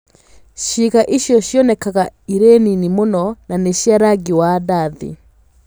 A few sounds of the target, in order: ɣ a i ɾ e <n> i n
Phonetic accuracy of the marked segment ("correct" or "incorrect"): correct